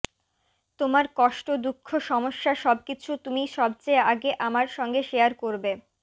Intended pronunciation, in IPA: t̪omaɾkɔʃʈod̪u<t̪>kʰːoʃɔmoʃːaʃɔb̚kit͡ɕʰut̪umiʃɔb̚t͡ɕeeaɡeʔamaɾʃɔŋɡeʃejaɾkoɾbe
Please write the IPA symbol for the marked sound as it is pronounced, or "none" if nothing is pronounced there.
none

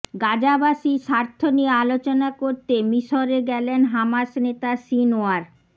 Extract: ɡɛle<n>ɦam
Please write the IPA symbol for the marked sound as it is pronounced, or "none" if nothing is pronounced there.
n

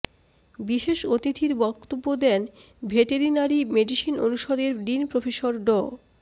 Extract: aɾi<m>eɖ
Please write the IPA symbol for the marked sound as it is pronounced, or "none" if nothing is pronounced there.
m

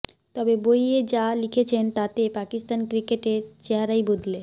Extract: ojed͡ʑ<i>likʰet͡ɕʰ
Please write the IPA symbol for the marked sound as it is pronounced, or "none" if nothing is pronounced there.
a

